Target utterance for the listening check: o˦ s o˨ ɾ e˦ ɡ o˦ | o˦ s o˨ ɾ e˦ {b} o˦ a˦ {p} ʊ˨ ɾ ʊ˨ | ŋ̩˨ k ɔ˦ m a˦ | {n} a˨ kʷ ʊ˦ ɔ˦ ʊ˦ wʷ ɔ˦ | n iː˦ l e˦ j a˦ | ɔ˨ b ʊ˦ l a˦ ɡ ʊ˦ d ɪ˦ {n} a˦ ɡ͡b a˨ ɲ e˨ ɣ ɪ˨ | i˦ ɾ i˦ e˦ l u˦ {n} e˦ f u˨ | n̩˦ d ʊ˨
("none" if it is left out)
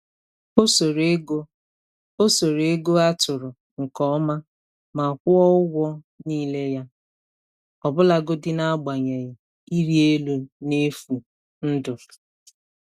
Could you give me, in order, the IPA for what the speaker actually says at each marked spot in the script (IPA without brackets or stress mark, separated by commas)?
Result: ɡ, t, m, n, n